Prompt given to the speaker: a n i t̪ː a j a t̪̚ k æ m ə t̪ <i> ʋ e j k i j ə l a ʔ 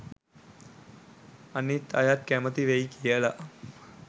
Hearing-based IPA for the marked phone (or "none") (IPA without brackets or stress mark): i